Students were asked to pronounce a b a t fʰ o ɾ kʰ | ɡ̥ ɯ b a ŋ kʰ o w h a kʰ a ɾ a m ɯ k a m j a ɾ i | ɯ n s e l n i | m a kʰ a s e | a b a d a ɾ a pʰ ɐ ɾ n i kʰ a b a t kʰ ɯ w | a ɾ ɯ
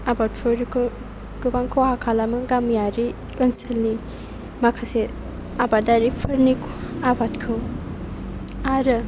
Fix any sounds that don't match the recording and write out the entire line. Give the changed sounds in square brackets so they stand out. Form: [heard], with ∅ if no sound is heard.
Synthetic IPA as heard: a b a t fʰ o ɾ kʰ | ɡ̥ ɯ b a ŋ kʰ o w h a kʰ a [l] a m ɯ [ɡ] a m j a ɾ i | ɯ n s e l n i | m a kʰ a s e | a b a d a ɾ [i] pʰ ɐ ɾ n i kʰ a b a t kʰ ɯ w | a ɾ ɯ